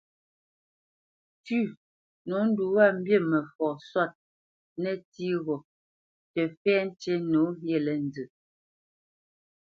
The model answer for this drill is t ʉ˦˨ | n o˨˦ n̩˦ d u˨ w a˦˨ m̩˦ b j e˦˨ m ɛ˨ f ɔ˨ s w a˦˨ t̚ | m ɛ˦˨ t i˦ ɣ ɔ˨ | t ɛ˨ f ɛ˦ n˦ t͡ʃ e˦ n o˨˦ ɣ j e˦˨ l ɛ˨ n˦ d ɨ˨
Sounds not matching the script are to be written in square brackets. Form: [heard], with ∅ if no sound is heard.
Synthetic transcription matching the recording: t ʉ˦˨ | n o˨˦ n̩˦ d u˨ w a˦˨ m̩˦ b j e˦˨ m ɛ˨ f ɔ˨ s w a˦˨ t̚ | [n] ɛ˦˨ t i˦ ɣ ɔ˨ | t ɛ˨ f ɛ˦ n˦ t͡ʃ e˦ n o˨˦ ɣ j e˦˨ l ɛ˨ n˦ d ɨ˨

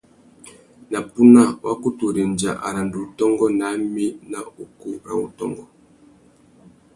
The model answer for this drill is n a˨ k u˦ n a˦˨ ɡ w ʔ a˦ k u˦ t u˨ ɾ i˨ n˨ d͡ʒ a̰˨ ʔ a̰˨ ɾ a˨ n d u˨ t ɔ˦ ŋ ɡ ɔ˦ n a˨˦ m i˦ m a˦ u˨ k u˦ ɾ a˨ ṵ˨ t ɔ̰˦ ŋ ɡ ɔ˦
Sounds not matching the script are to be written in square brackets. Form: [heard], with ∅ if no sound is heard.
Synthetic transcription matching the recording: n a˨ [p] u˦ n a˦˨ [∅] w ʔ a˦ k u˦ t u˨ ɾ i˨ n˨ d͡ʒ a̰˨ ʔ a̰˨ ɾ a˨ n d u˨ t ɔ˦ ŋ ɡ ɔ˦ n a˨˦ m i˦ [n] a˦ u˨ k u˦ ɾ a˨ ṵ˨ t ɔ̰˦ ŋ ɡ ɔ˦

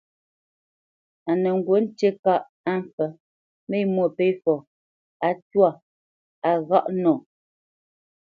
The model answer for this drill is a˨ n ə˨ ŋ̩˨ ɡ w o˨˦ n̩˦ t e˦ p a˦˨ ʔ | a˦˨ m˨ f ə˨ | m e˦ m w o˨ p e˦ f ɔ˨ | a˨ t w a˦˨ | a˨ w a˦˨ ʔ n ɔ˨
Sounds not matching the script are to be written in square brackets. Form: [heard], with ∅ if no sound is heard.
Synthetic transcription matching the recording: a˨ n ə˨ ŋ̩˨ ɡ w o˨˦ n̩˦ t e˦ [k] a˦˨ ʔ | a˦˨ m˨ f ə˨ | m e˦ m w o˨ p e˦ f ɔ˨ | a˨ t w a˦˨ | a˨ [ɣ] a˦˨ ʔ n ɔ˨

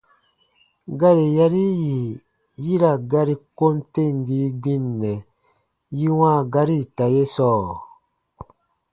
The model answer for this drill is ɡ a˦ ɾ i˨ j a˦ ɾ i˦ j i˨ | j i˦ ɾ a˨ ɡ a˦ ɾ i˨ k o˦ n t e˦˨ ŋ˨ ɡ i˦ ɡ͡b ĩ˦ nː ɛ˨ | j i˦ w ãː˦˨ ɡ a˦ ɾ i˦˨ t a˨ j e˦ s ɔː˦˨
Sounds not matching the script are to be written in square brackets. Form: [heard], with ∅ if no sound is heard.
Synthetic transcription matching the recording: ɡ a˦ ɾ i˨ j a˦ ɾ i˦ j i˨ | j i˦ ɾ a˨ ɡ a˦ ɾ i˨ k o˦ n t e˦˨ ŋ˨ ɡ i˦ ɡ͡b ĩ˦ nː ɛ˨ | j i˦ w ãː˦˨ ɡ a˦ ɾ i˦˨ t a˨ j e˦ s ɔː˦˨

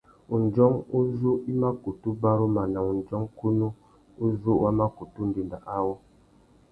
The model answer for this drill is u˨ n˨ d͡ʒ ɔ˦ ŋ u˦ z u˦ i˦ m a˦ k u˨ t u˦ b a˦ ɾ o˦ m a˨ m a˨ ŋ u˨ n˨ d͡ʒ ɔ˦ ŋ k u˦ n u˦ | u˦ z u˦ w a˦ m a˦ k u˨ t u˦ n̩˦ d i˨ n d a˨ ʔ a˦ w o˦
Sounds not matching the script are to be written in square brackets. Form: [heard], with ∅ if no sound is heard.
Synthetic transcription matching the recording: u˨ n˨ d͡ʒ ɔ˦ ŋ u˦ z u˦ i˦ m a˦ k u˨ t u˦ b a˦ ɾ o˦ m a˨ [n] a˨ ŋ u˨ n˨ d͡ʒ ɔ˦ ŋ k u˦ n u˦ | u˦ z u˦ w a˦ m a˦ k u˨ t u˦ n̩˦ d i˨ n d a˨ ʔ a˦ w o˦

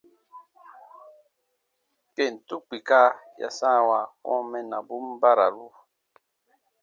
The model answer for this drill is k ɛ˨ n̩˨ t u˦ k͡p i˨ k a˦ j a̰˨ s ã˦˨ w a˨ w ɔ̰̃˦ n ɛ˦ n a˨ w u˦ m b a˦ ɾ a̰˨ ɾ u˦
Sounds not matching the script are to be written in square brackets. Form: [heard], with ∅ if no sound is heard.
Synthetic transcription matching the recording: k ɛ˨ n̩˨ t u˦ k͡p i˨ k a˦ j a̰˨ s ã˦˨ w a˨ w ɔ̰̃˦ [m] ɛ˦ n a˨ [b] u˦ m b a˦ ɾ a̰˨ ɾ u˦

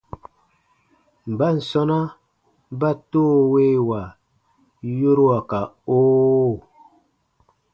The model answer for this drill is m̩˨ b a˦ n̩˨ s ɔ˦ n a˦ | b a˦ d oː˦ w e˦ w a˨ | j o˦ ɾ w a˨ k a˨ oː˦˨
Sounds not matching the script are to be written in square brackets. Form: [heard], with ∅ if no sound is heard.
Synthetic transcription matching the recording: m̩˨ b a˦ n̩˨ s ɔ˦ n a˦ | b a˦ [t] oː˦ w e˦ w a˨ | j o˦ ɾ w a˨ k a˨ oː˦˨

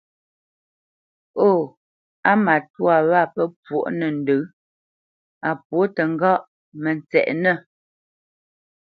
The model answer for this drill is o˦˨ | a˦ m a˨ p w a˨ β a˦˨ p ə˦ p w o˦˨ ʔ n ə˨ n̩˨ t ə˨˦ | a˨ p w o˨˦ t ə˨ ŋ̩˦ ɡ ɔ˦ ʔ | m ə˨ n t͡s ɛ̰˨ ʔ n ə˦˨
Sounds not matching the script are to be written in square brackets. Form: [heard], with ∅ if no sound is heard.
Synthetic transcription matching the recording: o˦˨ | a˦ m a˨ [t] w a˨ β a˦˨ p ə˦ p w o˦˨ ʔ n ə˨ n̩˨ [d] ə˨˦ | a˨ p w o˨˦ t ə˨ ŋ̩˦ ɡ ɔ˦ ʔ | m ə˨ n t͡s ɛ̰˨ ʔ n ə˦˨

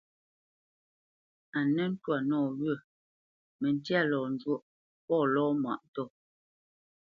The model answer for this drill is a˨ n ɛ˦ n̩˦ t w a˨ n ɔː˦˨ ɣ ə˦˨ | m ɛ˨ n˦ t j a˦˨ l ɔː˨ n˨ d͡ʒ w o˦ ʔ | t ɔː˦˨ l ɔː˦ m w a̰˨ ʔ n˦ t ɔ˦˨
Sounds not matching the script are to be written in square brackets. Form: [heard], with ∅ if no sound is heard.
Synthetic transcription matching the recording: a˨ n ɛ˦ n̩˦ t w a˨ n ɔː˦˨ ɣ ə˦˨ | m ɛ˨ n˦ t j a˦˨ l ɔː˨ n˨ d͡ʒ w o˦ ʔ | [p] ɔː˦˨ l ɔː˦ m w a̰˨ ʔ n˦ t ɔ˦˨

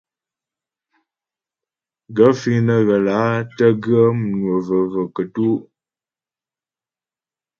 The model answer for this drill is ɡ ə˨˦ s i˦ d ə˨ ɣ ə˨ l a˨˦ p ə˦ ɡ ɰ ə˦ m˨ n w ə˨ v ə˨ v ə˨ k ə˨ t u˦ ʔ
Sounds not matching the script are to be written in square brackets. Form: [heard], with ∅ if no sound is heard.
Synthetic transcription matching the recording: ɡ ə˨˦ [f] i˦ [n] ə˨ ɣ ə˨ l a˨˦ [t] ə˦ ɡ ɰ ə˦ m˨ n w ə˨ v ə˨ v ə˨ k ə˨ t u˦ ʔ

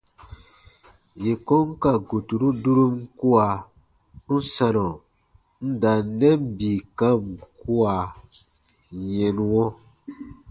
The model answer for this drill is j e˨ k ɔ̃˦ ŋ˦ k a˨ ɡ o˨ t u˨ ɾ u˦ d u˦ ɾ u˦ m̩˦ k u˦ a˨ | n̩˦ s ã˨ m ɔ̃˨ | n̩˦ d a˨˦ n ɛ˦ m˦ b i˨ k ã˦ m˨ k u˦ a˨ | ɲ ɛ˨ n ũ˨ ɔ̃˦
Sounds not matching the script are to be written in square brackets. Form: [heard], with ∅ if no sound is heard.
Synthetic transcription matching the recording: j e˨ k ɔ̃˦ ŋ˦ k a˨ ɡ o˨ t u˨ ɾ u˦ d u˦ ɾ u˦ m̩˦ k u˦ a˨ | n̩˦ s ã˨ [n] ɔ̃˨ | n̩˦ d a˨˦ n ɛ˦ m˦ b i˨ k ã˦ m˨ k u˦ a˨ | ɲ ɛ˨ n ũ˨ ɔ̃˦

